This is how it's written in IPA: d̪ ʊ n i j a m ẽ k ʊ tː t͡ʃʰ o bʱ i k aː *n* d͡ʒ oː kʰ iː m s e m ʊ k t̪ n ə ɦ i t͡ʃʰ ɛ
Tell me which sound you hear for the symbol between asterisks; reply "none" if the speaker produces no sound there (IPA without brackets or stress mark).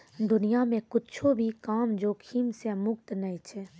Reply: m